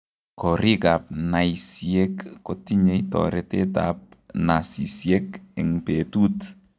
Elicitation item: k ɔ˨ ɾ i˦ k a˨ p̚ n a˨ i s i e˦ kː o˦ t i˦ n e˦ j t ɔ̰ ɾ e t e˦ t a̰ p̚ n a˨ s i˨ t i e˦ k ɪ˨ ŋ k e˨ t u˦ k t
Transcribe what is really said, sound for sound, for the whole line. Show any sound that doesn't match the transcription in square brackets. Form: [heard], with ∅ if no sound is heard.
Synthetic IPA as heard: k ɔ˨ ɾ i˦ k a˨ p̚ n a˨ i s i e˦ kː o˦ t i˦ [ɲ] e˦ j t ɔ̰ ɾ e t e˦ t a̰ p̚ n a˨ s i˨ [s] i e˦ k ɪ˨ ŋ [p] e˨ t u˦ [∅] t